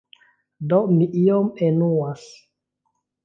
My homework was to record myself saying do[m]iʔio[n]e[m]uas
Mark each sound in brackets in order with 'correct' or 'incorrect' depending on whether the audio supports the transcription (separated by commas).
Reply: correct, incorrect, incorrect